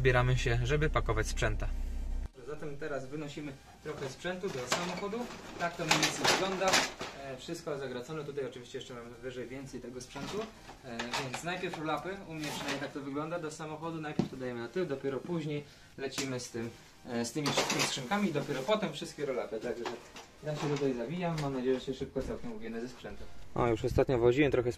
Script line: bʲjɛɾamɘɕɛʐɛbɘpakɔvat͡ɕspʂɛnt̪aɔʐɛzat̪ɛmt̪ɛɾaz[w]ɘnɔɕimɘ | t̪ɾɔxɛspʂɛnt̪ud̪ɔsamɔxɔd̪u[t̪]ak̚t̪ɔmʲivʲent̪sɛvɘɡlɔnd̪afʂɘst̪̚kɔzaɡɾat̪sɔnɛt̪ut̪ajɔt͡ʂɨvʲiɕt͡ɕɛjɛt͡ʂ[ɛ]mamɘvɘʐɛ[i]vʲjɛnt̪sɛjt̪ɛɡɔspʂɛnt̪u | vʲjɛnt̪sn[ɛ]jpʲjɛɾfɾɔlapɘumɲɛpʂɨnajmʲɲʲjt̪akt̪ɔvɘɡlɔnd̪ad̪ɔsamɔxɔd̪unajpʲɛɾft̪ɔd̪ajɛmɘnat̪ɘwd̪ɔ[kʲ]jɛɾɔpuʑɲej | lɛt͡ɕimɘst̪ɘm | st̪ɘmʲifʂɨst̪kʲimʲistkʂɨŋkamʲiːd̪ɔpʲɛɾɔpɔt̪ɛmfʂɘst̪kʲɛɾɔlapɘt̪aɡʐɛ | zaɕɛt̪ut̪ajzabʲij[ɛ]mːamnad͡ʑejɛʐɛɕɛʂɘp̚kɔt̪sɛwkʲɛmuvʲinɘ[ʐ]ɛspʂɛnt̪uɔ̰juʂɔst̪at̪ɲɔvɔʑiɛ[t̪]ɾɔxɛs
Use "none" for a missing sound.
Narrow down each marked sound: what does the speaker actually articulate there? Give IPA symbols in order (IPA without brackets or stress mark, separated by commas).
v, t̪, ɛ, j, a, pʲ, a, z, t̪